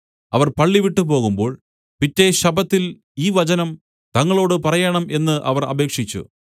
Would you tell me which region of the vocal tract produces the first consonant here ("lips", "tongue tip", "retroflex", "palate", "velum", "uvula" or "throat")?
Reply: lips